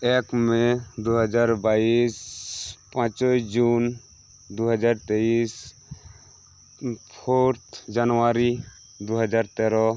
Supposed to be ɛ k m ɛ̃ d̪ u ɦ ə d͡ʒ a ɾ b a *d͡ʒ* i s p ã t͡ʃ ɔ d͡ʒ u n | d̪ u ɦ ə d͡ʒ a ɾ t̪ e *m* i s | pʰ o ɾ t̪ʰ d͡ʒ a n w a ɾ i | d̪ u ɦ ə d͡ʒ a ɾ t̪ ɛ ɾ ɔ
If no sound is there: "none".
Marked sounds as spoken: none, none

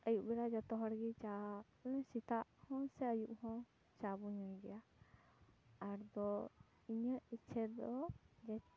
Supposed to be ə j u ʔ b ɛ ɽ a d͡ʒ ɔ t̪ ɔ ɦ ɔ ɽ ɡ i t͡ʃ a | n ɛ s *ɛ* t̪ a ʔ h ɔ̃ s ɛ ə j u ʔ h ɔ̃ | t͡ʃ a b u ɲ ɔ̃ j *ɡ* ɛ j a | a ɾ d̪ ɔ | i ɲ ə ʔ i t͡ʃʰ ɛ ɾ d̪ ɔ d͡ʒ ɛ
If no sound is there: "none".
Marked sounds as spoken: i, ɡ

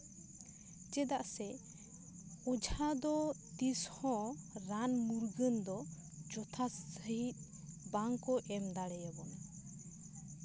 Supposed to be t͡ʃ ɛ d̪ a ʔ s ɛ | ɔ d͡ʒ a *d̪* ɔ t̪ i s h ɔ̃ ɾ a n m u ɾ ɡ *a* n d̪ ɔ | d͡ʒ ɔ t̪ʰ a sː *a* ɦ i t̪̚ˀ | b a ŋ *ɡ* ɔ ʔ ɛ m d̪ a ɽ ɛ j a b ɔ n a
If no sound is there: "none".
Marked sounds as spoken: d̪, ə, ə, k

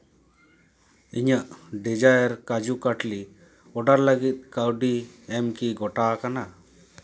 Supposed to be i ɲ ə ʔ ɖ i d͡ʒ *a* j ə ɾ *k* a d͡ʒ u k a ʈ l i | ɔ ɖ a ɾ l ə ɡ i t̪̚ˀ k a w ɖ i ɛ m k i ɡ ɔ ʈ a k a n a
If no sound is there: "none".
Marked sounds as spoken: a, k

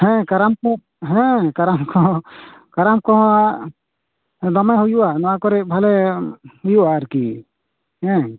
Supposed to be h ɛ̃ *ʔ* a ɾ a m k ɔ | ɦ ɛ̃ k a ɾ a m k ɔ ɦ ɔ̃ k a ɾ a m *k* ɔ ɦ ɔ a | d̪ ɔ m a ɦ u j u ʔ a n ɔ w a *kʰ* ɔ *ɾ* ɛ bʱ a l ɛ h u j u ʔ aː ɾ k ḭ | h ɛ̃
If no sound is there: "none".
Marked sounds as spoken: k, k, k, ɾ

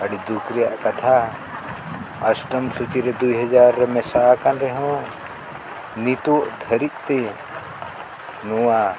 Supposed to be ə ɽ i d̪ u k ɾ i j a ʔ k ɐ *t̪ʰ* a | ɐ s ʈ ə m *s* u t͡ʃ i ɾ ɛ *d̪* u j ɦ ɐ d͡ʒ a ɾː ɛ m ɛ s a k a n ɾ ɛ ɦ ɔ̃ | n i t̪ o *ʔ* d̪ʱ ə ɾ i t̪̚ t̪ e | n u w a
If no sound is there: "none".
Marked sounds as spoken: t̪ʰ, s, d̪, ʔ

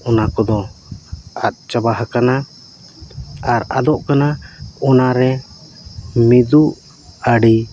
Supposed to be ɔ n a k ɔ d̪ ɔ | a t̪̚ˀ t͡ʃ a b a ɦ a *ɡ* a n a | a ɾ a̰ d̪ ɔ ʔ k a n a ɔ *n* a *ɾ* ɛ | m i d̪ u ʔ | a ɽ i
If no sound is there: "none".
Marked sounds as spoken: k, n, ɾ

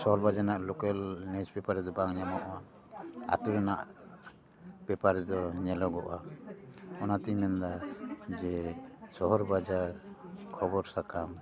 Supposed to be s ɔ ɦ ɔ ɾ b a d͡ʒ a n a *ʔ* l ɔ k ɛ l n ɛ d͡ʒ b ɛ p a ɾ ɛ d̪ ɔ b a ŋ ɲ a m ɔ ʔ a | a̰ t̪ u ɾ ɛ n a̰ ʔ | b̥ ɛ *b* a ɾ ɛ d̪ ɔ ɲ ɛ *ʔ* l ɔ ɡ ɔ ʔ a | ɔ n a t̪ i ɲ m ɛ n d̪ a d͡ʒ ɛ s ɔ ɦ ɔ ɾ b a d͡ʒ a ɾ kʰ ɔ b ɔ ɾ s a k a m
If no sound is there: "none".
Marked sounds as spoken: ʔ, p, none

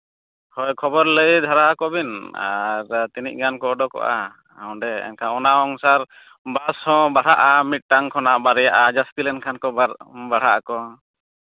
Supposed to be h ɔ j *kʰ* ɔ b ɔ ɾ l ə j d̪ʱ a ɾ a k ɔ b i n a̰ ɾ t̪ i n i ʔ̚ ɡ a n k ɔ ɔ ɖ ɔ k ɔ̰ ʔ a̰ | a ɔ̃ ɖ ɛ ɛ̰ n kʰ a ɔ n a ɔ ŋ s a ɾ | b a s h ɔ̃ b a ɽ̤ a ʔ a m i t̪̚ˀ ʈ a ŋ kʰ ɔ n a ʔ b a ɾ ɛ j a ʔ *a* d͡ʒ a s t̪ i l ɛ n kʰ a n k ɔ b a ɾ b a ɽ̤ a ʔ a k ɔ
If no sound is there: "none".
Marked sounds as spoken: kʰ, a

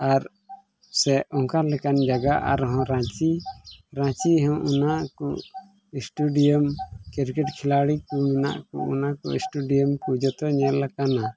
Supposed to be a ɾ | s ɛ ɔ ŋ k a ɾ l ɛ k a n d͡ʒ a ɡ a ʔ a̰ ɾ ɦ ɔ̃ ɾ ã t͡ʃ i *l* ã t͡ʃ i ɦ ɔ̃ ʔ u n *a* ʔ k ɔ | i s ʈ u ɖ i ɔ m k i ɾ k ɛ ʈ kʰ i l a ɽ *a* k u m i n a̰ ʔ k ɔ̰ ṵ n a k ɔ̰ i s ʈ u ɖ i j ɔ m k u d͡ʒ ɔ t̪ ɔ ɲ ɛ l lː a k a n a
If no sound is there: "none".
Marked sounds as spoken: ɾ, a, i

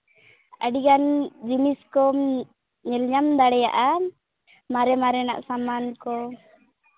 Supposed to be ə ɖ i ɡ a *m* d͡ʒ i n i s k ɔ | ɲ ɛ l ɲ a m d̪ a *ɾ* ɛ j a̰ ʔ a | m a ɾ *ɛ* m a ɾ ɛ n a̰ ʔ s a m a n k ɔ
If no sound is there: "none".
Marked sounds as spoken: n, ɽ, ɛ

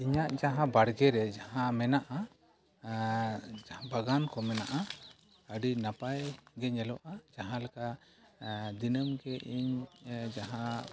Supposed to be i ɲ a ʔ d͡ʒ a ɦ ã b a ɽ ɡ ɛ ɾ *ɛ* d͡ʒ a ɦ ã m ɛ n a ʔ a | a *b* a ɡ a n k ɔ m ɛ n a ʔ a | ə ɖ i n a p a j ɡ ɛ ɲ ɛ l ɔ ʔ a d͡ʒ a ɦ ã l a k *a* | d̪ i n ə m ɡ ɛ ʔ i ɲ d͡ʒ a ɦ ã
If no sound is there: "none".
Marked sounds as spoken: ɛ, b, a

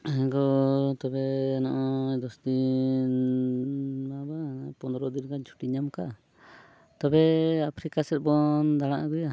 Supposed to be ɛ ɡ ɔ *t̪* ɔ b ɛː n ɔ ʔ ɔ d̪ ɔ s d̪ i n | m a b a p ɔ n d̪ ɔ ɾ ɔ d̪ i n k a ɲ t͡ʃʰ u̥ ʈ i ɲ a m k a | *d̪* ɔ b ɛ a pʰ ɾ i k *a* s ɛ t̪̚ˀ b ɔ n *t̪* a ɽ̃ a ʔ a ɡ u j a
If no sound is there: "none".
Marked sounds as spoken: t̪, t̪, a, d̪

